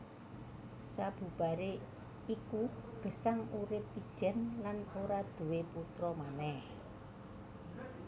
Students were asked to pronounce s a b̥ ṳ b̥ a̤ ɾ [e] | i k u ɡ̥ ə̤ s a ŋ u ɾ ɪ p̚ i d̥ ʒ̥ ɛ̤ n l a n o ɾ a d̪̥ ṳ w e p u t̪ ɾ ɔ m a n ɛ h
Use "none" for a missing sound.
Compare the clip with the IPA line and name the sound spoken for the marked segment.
e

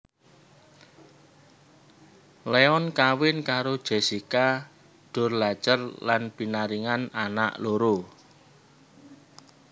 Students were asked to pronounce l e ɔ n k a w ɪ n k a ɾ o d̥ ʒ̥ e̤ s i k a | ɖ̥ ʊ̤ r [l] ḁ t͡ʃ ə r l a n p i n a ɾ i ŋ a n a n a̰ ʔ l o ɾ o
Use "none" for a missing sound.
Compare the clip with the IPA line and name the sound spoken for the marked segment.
l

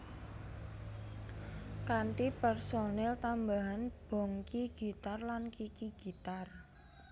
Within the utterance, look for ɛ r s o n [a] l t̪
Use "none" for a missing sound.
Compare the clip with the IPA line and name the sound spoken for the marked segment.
ɛ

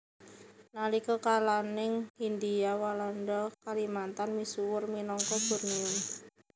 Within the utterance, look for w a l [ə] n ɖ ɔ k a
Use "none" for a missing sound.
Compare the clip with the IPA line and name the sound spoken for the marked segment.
a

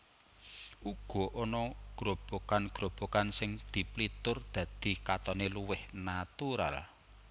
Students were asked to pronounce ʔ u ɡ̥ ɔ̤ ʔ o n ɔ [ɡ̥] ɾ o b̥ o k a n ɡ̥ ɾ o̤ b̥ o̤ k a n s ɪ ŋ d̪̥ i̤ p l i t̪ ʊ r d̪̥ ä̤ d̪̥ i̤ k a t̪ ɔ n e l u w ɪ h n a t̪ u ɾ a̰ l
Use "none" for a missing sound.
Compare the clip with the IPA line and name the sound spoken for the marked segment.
ɡ̥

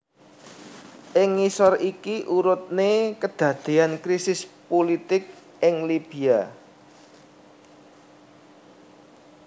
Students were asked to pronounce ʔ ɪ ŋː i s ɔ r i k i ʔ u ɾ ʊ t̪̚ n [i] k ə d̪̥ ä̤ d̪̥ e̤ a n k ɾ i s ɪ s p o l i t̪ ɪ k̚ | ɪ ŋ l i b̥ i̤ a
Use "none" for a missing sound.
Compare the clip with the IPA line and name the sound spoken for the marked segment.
e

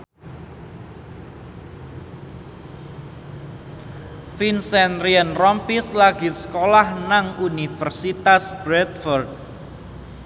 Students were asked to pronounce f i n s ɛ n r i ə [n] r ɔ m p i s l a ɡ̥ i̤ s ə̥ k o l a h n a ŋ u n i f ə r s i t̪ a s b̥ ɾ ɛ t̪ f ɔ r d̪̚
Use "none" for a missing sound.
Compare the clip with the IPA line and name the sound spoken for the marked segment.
n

